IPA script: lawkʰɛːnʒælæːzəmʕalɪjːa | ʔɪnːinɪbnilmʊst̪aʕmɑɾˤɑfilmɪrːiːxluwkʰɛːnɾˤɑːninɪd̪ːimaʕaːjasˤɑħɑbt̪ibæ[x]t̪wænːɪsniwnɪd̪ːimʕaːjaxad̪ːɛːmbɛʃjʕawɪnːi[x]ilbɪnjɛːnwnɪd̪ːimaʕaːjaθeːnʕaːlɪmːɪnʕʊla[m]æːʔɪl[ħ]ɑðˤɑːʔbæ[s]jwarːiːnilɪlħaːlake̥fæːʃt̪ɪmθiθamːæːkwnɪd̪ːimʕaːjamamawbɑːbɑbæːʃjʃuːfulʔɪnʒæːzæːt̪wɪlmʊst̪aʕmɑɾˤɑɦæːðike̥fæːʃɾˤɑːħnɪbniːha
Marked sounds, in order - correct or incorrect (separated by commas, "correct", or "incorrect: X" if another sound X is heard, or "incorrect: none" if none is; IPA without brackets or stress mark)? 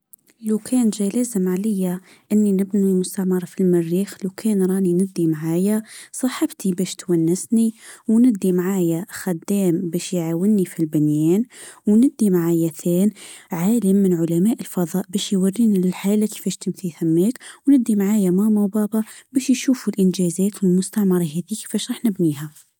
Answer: incorrect: ʃ, incorrect: f, correct, incorrect: f, incorrect: ʃ